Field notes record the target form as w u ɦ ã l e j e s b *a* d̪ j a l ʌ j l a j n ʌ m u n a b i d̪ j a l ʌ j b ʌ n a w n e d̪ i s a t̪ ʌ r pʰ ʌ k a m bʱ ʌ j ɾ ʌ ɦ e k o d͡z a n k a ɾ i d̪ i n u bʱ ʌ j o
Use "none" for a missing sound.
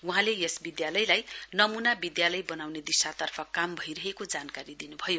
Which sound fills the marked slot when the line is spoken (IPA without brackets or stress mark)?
i